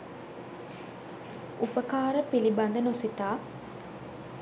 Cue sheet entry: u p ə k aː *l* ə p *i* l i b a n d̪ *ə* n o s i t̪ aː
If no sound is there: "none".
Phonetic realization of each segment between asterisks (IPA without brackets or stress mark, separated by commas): ɾ, i, ə